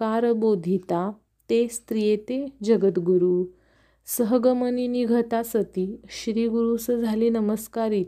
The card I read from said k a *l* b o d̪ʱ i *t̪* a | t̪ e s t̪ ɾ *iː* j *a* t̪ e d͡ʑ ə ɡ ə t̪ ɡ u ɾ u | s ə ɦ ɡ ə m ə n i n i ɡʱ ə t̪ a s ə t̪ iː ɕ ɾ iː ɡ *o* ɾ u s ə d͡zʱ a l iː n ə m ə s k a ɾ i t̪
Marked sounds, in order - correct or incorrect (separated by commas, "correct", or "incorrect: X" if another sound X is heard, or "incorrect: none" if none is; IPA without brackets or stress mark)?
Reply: incorrect: ɾ, correct, incorrect: i, incorrect: e, incorrect: u